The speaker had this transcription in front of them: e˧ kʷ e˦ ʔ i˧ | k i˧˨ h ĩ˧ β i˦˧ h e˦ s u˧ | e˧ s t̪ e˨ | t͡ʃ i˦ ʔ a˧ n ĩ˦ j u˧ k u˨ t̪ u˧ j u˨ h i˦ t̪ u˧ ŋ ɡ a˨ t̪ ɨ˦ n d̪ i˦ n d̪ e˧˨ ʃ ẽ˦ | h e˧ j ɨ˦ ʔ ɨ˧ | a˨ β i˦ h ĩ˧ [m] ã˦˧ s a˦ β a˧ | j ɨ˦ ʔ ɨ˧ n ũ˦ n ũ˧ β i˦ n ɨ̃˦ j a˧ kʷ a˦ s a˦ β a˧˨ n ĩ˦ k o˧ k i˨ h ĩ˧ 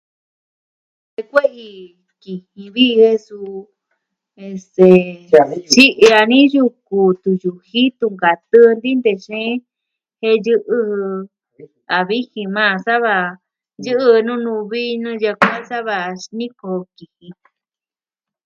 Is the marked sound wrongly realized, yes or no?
no